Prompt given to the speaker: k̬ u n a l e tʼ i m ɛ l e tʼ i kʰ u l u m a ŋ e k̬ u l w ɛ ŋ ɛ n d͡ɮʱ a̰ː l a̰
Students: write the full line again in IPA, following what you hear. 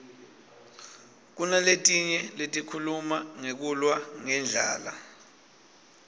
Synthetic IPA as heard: k̬ u n a l e tʼ i ɲ ɛ l e tʼ i kʰ u l u m a ŋ e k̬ u l w a ŋ ɛ n d͡ɮʱ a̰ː l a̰